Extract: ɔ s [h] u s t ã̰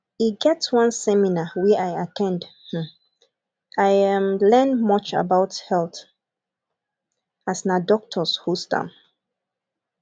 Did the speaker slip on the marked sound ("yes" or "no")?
no